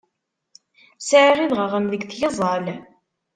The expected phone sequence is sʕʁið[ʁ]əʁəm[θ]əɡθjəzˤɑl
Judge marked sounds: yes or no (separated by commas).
yes, no